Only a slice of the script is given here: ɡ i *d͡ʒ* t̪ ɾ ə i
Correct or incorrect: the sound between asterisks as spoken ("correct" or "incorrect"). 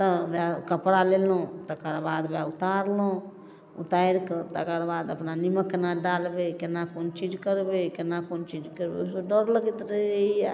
incorrect